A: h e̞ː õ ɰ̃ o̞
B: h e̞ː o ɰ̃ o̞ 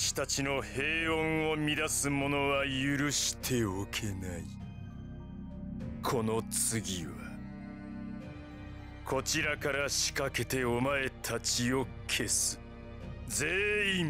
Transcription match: A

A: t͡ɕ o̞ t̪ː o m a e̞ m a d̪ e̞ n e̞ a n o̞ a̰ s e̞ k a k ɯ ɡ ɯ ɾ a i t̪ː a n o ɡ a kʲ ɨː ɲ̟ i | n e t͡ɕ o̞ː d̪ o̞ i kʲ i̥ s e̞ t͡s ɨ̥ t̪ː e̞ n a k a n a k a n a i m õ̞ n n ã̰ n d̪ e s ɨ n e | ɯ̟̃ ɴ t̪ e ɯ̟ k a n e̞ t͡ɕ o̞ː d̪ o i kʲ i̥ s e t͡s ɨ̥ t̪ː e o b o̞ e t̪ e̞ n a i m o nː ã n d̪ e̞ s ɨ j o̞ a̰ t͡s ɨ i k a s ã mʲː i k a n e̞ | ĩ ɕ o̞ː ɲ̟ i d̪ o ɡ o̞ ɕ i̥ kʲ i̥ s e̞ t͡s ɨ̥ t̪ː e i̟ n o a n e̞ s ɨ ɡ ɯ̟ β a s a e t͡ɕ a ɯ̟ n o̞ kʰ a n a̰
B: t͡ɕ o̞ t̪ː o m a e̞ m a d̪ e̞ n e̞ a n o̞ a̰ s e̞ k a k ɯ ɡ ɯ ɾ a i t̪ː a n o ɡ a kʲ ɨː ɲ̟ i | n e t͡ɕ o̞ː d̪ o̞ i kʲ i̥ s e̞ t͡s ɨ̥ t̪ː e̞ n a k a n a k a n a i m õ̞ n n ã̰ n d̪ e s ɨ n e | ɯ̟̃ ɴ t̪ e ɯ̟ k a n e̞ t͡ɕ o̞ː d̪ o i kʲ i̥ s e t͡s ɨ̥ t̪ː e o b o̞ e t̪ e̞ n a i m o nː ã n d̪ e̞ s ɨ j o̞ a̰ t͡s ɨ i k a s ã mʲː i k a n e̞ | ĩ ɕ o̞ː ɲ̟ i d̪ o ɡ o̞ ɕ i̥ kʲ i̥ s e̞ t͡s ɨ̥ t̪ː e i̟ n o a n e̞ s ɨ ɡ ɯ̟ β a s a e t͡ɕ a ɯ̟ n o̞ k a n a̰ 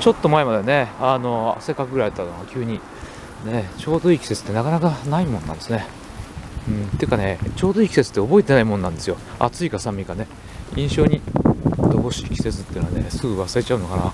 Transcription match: B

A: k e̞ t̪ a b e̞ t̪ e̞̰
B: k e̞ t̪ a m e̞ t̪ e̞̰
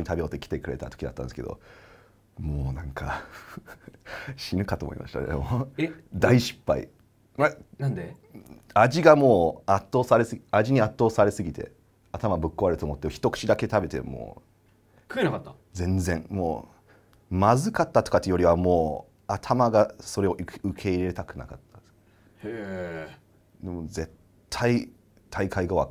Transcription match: A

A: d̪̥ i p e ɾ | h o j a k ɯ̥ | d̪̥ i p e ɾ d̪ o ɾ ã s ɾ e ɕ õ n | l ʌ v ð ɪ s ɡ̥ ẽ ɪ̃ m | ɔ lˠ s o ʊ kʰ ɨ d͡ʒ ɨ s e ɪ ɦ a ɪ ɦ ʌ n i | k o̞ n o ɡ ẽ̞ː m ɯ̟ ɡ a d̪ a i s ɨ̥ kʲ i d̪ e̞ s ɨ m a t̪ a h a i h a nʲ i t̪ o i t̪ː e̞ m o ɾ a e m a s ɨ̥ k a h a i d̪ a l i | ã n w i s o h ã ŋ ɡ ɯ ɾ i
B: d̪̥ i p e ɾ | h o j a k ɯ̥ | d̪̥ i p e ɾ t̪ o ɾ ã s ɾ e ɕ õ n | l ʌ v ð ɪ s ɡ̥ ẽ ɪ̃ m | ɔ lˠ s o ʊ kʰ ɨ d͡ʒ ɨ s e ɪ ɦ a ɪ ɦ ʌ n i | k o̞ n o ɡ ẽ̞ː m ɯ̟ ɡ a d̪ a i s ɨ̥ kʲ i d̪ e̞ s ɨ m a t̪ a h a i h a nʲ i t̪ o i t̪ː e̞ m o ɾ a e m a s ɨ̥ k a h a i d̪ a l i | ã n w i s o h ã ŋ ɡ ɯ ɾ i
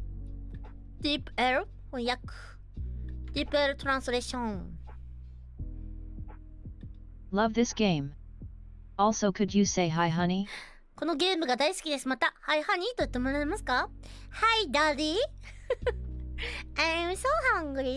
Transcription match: B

